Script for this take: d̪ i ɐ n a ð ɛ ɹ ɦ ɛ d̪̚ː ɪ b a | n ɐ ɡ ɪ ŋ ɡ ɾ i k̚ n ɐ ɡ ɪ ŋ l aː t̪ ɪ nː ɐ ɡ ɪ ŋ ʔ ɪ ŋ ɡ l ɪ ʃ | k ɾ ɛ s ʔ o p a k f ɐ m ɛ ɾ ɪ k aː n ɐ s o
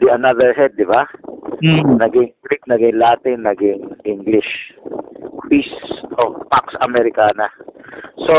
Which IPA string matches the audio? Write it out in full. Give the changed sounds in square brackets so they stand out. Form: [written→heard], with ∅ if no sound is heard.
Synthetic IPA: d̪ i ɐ n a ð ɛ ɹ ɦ ɛ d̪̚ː ɪ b a | n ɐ ɡ ɪ ŋ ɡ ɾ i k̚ n ɐ ɡ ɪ ŋ l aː t̪ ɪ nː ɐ ɡ ɪ ŋ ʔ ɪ ŋ ɡ l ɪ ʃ | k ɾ [ɛ→i] s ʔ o p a k [f→s] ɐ m ɛ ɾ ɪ k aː n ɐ s o